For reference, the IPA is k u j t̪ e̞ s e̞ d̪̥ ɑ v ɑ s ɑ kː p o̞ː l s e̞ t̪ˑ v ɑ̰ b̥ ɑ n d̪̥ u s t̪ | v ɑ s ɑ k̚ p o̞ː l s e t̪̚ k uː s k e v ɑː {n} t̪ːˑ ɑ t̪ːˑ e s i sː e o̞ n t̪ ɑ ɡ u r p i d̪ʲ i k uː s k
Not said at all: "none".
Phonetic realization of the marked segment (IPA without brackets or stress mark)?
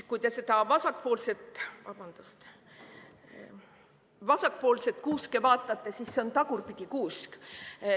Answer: none